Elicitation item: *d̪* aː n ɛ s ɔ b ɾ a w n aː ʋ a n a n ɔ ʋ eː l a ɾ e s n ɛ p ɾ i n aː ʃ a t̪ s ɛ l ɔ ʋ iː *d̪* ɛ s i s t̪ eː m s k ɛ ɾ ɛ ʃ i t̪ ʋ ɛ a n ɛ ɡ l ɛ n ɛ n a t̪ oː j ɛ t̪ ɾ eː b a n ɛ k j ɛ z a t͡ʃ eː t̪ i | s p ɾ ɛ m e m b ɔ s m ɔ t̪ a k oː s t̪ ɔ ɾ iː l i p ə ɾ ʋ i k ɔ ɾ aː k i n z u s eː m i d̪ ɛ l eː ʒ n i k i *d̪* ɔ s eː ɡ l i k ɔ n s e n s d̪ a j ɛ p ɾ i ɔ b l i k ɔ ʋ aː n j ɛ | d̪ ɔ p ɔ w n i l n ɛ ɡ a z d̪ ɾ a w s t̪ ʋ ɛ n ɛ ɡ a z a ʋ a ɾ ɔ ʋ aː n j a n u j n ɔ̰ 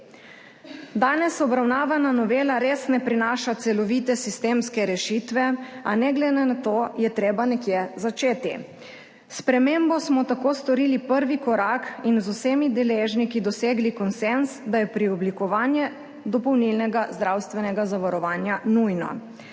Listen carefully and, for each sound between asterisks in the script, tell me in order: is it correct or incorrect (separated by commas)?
correct, incorrect, correct